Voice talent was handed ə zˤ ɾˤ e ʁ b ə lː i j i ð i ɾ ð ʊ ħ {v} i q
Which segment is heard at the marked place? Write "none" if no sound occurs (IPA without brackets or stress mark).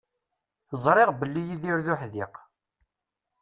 ð